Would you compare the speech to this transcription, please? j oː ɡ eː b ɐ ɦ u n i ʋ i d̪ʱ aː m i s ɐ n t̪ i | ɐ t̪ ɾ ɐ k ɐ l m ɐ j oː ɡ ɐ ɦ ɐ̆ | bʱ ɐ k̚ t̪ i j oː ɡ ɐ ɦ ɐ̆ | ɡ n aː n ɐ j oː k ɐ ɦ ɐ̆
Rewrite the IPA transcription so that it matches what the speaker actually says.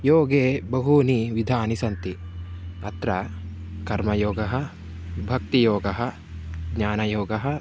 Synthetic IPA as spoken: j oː ɡ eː b ɐ ɦ u n i ʋ i d̪ʱ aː n i s ɐ n t̪ i | ɐ t̪ ɾ ɐ k ɐ ɾ m ɐ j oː ɡ ɐ ɦ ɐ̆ | bʱ ɐ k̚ t̪ i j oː ɡ ɐ ɦ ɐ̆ | ɡ ɲ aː n ɐ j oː ɡ ɐ ɦ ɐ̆